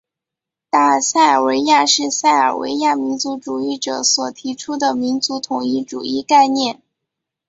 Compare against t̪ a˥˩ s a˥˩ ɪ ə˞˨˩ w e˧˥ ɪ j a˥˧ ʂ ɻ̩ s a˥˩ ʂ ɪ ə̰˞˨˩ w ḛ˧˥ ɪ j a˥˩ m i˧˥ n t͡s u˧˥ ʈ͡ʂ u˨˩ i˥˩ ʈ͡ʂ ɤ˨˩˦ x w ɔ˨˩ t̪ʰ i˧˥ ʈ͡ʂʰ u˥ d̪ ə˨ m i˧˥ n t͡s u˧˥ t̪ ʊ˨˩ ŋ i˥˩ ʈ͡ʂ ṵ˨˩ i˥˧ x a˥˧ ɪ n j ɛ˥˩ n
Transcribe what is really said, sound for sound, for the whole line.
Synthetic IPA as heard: t̪ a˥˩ s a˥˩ ɪ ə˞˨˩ w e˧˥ ɪ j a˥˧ ʂ ɻ̩ s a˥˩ ɪ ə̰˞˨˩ w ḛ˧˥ ɪ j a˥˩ m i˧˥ n t͡s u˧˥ ʈ͡ʂ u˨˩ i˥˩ ʈ͡ʂ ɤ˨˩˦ s w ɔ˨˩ t̪ʰ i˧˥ ʈ͡ʂʰ u˥ d̪ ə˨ m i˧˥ n t͡s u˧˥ t̪ʰ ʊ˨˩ ŋ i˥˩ ʈ͡ʂ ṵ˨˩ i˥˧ k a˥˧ ɪ n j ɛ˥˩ n

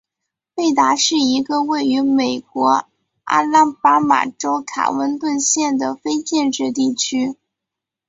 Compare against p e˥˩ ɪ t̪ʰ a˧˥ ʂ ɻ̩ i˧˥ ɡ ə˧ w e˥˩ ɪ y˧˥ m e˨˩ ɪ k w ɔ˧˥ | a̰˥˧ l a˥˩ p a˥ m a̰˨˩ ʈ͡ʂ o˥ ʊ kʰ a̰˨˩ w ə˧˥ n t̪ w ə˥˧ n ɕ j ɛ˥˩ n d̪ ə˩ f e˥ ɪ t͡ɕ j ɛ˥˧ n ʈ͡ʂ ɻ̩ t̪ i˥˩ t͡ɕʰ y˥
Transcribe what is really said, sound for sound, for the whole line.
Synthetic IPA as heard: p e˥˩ ɪ t̪ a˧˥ ʂ ɻ̩ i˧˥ ɡ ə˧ w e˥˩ ɪ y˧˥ m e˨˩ ɪ k w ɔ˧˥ | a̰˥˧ l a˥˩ p a˥ m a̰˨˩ ʈ͡ʂ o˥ ʊ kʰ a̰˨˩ w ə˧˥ n t̪ w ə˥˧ n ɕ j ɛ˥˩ n d̪ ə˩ f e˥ ɪ t͡ɕ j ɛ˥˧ n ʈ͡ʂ ɻ̩ t̪ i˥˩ t͡ɕʰ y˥

